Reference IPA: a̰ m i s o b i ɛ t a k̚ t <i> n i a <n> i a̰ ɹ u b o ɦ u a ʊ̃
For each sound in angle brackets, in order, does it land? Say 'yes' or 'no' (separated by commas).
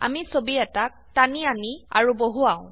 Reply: no, yes